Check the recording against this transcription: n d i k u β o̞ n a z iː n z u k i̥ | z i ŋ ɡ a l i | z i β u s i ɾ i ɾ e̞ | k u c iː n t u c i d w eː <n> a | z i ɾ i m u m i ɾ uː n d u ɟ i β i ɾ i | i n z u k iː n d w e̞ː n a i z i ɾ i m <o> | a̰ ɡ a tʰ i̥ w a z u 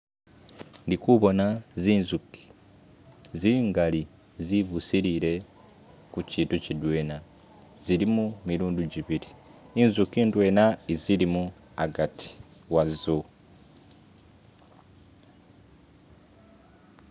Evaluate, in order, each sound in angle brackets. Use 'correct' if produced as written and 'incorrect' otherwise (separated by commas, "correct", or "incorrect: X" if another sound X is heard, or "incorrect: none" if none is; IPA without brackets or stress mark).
correct, incorrect: u